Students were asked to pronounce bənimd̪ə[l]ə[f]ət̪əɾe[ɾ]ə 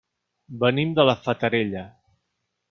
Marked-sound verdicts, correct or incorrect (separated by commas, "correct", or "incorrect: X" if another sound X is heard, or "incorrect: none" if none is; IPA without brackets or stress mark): correct, correct, incorrect: ʎ